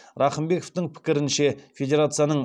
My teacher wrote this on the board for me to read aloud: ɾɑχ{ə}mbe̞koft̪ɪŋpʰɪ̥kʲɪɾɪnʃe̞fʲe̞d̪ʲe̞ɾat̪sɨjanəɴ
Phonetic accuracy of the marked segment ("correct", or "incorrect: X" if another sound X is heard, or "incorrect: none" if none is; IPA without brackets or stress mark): correct